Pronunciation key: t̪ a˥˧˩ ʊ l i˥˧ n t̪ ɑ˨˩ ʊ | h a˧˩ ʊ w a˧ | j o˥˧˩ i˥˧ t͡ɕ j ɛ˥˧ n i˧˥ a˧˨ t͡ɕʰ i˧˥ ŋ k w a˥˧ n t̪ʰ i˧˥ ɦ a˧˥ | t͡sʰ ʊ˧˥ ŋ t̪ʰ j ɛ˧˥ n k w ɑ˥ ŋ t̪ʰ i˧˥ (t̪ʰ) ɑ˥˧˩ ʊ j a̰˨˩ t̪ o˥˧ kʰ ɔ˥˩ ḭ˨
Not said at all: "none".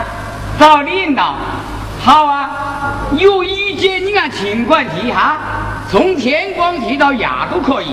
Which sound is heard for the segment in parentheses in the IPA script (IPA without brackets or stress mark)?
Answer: t̪